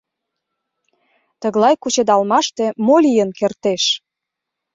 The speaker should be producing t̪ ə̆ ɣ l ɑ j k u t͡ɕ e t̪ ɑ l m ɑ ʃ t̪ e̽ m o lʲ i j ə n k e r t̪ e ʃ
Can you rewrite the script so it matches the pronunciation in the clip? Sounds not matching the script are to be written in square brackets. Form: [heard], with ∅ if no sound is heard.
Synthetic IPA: t̪ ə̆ ɣ l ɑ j k u t͡ɕ e [d̪] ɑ l m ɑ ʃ t̪ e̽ m o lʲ i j ə n k e r t̪ e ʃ